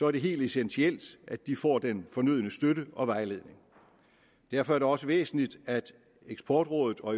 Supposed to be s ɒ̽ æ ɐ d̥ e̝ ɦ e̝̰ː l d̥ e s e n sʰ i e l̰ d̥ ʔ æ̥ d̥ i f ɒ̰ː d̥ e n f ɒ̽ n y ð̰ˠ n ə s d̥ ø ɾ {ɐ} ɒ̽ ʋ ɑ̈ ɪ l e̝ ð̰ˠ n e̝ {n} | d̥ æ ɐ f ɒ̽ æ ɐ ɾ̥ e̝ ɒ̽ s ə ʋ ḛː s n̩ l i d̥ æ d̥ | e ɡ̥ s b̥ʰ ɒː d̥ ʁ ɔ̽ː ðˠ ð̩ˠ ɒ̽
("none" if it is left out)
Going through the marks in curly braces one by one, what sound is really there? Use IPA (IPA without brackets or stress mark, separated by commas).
ə, ŋ